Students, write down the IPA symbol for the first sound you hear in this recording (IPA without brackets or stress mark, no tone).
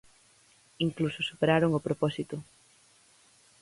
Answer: i